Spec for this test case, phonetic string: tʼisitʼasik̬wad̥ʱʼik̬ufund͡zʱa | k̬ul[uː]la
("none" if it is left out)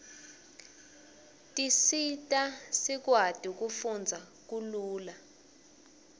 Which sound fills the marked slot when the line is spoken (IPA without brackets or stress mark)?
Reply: uː